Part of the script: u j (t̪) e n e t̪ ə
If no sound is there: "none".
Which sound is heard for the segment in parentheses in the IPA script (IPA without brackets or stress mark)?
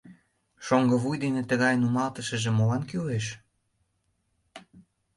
d̪